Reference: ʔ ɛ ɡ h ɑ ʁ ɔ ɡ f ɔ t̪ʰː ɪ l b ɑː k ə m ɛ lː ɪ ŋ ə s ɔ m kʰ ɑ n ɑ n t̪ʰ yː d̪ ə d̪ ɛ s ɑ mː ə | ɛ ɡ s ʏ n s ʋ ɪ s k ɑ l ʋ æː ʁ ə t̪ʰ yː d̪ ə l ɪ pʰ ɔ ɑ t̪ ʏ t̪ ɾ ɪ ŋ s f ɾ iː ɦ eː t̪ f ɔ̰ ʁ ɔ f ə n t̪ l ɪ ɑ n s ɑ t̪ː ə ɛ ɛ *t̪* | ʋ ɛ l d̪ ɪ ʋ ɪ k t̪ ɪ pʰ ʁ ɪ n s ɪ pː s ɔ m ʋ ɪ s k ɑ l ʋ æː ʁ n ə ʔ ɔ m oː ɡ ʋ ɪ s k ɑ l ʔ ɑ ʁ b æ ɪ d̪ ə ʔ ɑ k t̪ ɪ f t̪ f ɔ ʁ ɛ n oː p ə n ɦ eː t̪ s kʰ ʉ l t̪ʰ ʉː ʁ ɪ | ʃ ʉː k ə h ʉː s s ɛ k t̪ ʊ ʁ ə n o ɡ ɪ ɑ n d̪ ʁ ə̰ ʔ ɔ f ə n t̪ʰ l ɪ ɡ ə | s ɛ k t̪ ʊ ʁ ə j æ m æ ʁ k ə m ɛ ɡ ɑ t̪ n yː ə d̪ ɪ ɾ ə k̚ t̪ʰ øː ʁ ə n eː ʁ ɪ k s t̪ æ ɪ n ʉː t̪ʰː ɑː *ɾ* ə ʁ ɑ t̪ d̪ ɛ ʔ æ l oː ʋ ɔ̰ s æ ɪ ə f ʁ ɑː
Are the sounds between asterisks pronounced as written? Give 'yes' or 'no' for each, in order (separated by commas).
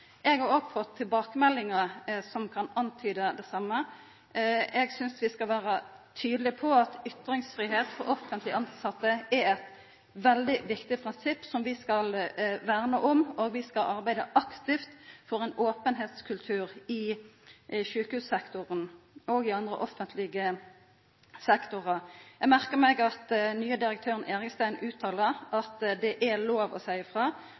yes, no